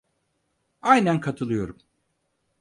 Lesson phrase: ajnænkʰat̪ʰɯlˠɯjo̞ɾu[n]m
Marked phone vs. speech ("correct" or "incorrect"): incorrect